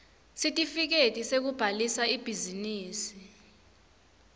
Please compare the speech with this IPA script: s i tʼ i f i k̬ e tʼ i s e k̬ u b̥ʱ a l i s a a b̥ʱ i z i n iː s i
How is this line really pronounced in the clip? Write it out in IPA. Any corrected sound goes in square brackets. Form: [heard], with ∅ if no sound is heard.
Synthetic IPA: s i tʼ i f i k̬ e tʼ i s e k̬ u b̥ʱ a l i s a [i] b̥ʱ i z i n iː s i